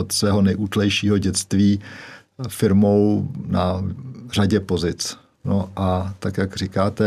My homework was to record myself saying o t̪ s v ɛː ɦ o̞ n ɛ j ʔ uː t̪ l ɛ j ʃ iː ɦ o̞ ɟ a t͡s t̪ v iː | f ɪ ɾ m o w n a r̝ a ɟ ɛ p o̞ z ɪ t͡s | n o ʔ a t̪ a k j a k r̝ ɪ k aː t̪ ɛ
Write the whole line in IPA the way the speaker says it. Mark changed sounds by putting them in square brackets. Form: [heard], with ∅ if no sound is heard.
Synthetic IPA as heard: o t̪ s v ɛː ɦ o̞ n ɛ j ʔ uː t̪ l ɛ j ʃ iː ɦ o̞ ɟ [ɛ] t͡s t̪ v iː | f ɪ ɾ m o w n a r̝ a ɟ ɛ p o̞ z ɪ t͡s | n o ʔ a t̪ a k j a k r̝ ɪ k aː t̪ ɛ